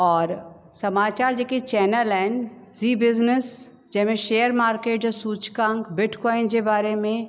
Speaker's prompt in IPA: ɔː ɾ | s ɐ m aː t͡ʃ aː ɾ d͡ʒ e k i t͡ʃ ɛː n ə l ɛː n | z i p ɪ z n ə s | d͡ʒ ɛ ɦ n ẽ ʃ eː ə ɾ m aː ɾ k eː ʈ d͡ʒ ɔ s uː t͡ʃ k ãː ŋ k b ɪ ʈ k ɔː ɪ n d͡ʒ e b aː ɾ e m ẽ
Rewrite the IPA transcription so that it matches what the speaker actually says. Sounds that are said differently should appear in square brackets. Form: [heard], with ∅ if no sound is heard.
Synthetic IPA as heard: ɔː ɾ | s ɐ m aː t͡ʃ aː ɾ d͡ʒ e k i t͡ʃ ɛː n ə l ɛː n | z i [b] ɪ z n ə s | d͡ʒ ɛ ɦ [m] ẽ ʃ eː ə ɾ m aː ɾ k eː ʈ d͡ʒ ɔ s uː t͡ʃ k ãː ŋ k b ɪ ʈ k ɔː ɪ n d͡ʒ e b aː ɾ e m ẽ